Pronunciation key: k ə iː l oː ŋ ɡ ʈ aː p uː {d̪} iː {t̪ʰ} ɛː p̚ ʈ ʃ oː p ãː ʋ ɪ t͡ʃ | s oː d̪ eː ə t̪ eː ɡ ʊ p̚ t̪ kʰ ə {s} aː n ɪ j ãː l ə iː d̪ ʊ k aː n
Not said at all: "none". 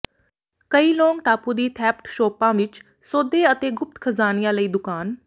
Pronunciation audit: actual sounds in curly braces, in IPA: d̪, t̪ʰ, z

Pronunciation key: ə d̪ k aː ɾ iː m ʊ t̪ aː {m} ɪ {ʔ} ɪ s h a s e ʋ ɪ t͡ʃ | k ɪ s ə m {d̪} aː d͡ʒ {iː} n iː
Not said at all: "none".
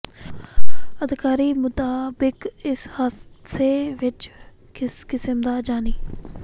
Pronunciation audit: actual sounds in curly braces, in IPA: b, k, d̪, aː

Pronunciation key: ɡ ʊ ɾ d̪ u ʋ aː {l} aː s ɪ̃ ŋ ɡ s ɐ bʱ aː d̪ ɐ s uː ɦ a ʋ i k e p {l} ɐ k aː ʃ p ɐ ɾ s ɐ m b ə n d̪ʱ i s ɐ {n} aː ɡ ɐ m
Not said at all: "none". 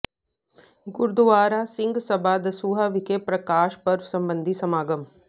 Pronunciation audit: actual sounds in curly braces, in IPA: ɾ, ɾ, m

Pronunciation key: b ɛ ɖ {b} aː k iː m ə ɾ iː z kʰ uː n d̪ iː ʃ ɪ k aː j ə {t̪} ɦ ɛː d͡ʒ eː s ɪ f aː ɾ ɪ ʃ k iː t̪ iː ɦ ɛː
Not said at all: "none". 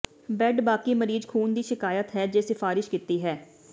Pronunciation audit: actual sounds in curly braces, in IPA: b, t̪

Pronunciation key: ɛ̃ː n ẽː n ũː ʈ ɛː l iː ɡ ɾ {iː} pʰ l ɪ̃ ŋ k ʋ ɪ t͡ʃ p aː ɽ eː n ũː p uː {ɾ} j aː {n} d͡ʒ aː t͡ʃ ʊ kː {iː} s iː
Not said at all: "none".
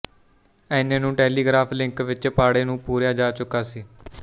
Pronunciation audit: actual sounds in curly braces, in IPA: aː, ɾ, none, aː

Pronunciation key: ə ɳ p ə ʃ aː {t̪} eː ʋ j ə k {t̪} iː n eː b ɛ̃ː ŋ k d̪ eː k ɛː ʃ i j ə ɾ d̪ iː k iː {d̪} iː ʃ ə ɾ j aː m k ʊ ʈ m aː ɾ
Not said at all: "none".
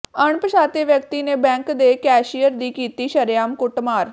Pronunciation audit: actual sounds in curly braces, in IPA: t̪, t̪, t̪

